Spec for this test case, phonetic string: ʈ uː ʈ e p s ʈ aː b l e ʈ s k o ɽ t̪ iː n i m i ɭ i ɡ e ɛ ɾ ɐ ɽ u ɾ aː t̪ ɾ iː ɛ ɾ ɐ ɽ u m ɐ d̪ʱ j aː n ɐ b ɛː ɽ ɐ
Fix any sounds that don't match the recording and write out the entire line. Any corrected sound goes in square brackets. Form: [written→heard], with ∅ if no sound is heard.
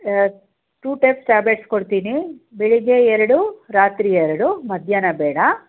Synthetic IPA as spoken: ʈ uː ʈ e p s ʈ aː b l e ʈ s k o ɽ t̪ iː n i [m→b] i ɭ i ɡ e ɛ ɾ ɐ ɽ u ɾ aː t̪ ɾ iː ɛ ɾ ɐ ɽ u m ɐ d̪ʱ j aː n ɐ b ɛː ɽ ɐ